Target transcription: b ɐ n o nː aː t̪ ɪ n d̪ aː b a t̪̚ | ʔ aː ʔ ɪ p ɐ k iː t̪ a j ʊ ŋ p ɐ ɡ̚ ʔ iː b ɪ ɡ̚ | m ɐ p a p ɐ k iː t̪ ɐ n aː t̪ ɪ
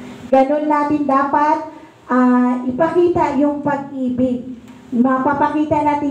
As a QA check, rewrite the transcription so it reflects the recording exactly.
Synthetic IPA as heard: ɡ ɐ n o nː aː t̪ ɪ n d̪ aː p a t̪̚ | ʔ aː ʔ ɪ p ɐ k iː t̪ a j ʊ ŋ p ɐ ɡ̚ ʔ iː b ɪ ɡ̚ | m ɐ p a p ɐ k iː t̪ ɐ n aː t̪ ɪ